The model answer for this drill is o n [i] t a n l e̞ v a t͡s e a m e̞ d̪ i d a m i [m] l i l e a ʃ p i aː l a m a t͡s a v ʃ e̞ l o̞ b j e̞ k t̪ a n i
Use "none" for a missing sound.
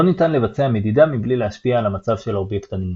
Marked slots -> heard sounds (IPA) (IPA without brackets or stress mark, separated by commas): i, b